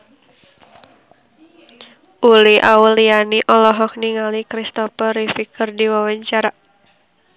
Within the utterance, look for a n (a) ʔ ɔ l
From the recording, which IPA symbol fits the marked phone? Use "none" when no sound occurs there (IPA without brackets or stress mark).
i